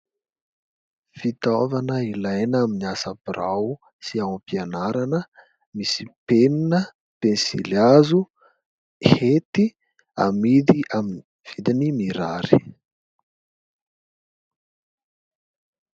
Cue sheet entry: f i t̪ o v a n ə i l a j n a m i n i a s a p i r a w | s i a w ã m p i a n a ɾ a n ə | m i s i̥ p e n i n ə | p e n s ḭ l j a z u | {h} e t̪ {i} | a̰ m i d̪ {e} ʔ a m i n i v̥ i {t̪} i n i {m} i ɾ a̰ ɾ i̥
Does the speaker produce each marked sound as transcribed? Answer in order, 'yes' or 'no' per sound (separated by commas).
yes, yes, no, no, yes